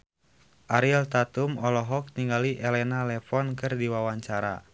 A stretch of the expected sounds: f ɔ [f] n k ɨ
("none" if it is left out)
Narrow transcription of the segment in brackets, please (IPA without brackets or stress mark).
none